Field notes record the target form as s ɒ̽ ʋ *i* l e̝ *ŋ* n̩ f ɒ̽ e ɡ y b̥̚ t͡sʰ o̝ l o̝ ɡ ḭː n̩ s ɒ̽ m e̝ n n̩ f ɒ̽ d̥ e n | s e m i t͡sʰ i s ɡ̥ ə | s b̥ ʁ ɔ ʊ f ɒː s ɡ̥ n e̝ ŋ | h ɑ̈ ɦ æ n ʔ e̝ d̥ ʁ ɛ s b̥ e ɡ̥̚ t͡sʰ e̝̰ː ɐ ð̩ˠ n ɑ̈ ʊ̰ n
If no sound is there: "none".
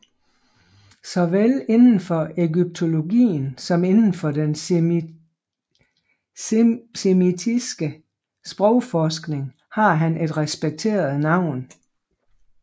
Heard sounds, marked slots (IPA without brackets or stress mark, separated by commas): e, n